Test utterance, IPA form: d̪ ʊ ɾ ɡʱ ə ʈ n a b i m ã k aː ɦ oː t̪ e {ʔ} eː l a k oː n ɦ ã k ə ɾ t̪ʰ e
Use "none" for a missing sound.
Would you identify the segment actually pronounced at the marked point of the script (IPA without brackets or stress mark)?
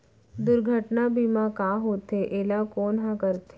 ʔ